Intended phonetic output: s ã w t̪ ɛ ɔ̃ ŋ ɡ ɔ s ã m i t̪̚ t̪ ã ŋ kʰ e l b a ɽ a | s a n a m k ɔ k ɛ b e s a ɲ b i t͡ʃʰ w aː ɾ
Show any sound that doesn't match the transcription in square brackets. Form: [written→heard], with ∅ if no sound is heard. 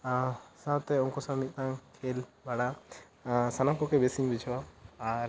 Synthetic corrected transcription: s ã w t̪ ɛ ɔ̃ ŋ [ɡ→k] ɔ s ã m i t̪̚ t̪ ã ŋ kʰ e l b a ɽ a | s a n a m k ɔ k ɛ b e s [a→i] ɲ b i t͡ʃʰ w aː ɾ